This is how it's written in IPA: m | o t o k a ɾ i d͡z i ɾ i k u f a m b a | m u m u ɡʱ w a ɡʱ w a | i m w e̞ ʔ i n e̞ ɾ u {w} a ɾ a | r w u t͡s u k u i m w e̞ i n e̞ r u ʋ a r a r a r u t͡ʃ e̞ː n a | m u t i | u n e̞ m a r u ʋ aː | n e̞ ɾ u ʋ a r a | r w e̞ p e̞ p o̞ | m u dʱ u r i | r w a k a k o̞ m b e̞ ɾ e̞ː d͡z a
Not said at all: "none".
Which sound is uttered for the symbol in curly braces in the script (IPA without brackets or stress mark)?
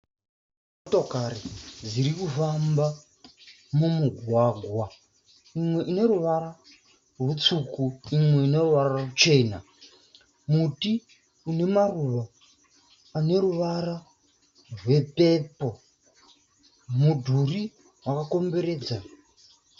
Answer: ʋ